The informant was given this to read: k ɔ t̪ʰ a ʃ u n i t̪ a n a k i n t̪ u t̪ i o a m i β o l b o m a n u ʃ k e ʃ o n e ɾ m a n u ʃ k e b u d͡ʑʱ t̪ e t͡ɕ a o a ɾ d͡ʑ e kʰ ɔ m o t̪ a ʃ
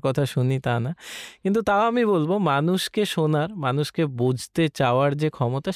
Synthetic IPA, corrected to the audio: k ɔ t̪ʰ a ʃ u n i t̪ a n a k i n t̪ u t̪ a o a m i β o l b o m a n u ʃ k e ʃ o n a ɾ m a n u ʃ k e b u d͡ʑʱ t̪ e t͡ɕ a o a ɾ d͡ʑ e kʰ ɔ m o t̪ a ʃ